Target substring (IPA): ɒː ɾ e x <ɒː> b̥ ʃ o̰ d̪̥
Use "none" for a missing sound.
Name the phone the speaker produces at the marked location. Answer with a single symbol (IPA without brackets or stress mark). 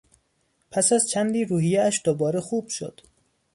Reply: uː